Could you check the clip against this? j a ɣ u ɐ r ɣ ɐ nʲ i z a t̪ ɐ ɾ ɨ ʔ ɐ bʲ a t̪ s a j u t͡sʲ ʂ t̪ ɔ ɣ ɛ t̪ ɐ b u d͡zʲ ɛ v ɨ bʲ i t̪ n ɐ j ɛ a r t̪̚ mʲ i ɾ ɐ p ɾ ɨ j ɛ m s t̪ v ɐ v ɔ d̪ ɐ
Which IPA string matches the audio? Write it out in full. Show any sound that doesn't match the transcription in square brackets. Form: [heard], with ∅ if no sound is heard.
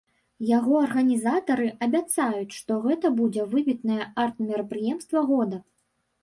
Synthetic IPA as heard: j a ɣ [ɔ] ɐ r ɣ ɐ nʲ i z a t̪ ɐ ɾ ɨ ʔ ɐ bʲ a t̪ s a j u t͡sʲ ʂ t̪ ɔ ɣ ɛ t̪ ɐ b u d͡zʲ ɛ v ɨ bʲ i t̪ n ɐ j ɛ a r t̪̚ mʲ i ɾ ɐ p ɾ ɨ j ɛ m s t̪ v ɐ [ɣ] ɔ d̪ ɐ